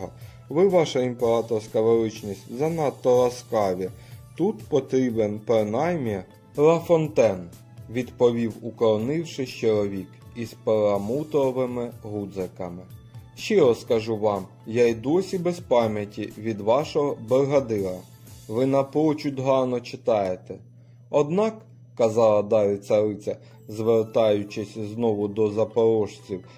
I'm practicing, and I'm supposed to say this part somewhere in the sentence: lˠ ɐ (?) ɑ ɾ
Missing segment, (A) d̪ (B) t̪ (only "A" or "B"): A